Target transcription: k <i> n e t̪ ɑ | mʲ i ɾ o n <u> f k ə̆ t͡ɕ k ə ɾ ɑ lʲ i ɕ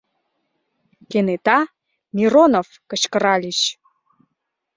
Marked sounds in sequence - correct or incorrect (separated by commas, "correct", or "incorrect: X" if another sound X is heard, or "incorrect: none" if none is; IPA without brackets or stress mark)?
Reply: incorrect: e, incorrect: o